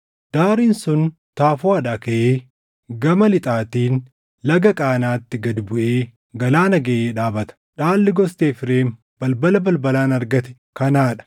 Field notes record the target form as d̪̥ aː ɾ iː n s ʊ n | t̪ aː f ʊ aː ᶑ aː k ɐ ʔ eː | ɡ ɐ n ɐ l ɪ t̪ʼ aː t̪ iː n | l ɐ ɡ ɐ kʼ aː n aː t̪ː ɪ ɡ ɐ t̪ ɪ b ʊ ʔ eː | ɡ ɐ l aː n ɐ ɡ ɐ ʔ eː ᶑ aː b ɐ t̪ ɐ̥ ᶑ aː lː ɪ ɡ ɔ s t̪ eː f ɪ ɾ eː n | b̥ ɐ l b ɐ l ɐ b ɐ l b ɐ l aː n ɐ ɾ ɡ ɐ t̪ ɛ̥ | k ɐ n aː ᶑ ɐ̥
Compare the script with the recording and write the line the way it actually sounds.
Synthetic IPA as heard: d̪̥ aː ɾ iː n s ʊ n | t̪ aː f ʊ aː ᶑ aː k ɐ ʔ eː | ɡ ɐ m ɐ l ɪ t̪ʼ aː t̪ iː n | l ɐ ɡ ɐ kʼ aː n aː t̪ː ɪ ɡ ɐ d̪ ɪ b ʊ ʔ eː | ɡ ɐ l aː n ɐ ɡ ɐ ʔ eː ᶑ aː b ɐ t̪ ɐ̥ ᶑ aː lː ɪ ɡ ɔ s t̪ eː f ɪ ɾ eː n | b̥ ɐ l b ɐ l ɐ b ɐ l b ɐ l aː n ɐ ɾ ɡ ɐ t̪ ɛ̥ | k ɐ n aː ᶑ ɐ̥

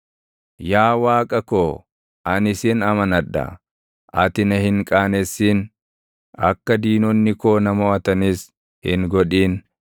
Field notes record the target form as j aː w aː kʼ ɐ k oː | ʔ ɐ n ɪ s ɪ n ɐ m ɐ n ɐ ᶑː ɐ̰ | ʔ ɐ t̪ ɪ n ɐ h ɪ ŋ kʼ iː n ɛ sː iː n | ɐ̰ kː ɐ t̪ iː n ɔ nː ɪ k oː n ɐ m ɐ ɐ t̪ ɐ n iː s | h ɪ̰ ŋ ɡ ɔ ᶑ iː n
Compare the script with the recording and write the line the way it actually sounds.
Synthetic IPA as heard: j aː w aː kʼ ɐ k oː | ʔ ɐ n ɪ s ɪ n ɐ m ɐ n ɐ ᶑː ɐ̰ | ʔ ɐ t̪ ɪ n ɐ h ɪ ŋ kʼ aː n ɛ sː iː n | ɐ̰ kː ɐ d̪ iː n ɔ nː ɪ k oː n ɐ m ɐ ɐ t̪ ɐ n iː s | h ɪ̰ ŋ ɡ ɔ ᶑ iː n

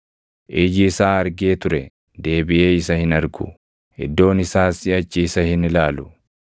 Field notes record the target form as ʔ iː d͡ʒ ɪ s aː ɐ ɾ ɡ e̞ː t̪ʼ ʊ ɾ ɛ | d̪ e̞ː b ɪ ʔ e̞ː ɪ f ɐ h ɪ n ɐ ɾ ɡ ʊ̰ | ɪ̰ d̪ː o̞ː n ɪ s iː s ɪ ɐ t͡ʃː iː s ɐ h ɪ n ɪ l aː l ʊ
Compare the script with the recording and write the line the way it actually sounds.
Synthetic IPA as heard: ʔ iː d͡ʒ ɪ s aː ɐ ɾ ɡ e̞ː t̪ ʊ ɾ ɛ | d̪ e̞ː b ɪ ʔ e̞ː ɪ s ɐ h ɪ n ɐ ɾ ɡ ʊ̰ | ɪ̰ d̪ː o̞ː n ɪ s aː s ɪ ɐ t͡ʃː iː s ɐ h ɪ n ɪ l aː l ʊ

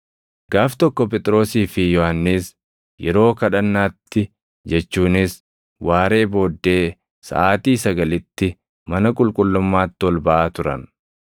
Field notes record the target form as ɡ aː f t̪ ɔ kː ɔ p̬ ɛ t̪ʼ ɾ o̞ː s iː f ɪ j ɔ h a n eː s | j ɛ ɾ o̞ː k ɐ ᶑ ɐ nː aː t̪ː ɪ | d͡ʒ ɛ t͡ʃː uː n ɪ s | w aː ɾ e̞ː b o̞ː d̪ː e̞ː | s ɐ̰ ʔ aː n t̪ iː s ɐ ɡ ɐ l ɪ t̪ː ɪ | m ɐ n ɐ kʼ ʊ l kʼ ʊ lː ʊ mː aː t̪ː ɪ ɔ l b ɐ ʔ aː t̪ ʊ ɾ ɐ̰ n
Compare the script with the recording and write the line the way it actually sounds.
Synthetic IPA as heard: ɡ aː f t̪ ɔ kː ɔ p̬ ɛ t̪ʼ ɾ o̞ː s iː f ɪ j ɔ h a nː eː s | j ɛ ɾ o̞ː k ɐ ᶑ ɐ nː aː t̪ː ɪ | d͡ʒ ɛ t͡ʃː uː n ɪ s | w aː ɾ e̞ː b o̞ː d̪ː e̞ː | s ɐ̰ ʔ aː t̪ iː s ɐ ɡ ɐ l ɪ t̪ː ɪ | m ɐ n ɐ kʼ ʊ l kʼ ʊ lː ʊ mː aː t̪ː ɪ ɔ l b ɐ ʔ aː t̪ ʊ ɾ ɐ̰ n

